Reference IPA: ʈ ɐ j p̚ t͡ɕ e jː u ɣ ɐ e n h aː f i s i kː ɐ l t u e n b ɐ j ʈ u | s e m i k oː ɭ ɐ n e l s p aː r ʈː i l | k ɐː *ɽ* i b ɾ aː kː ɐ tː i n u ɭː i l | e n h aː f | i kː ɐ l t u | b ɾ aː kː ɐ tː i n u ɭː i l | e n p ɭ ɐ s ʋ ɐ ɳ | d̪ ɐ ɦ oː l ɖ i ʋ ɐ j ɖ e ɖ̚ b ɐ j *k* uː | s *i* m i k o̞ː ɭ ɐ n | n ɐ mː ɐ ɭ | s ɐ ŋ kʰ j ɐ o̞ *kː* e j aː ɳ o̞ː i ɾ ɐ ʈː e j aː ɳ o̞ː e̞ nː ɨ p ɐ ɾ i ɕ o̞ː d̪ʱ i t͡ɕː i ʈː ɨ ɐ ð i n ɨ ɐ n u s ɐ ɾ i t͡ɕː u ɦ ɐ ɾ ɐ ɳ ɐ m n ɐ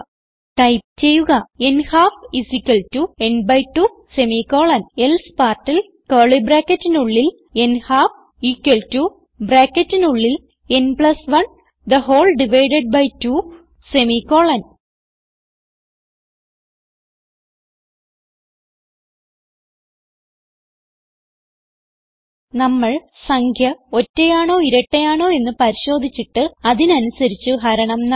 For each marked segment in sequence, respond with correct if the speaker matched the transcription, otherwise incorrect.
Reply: incorrect, incorrect, incorrect, incorrect

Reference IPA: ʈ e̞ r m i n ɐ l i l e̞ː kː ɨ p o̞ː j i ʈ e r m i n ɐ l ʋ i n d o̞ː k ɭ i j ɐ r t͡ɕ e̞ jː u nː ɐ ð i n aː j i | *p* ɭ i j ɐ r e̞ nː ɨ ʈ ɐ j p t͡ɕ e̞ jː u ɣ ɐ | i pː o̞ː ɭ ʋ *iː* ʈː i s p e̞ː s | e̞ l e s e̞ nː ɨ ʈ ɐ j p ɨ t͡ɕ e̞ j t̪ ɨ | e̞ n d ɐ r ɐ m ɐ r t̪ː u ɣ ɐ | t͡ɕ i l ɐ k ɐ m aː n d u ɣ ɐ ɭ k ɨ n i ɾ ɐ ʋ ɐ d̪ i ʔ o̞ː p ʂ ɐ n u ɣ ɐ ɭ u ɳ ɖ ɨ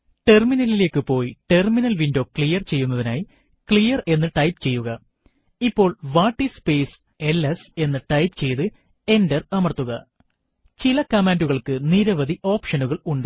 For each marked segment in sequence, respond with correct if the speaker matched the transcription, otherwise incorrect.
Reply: incorrect, incorrect

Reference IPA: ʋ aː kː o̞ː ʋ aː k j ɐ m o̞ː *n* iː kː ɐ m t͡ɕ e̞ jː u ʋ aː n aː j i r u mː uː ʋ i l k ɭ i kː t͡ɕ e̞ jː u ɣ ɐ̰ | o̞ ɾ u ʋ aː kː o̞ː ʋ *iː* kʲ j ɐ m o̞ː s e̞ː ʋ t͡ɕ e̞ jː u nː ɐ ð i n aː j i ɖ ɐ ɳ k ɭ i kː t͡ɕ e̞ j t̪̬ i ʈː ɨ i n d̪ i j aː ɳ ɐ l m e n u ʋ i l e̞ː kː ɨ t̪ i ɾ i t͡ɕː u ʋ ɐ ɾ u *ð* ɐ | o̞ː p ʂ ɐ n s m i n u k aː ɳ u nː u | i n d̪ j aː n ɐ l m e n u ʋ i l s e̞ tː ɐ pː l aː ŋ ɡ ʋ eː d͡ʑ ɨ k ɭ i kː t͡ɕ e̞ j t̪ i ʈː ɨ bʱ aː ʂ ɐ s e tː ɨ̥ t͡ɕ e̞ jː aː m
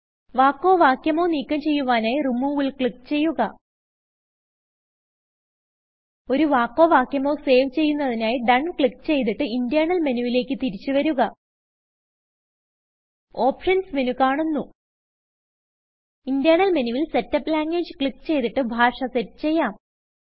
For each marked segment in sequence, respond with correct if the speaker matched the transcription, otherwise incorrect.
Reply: correct, incorrect, incorrect

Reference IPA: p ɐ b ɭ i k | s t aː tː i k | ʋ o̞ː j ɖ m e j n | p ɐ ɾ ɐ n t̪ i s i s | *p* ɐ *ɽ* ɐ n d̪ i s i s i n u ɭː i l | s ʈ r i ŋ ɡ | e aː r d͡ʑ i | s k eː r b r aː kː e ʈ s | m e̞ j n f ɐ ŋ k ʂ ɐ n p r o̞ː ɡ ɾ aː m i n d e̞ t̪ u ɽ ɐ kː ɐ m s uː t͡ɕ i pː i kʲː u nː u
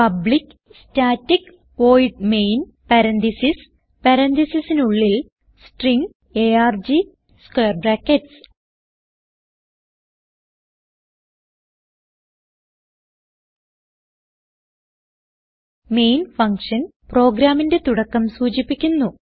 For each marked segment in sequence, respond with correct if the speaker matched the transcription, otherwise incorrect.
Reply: correct, incorrect

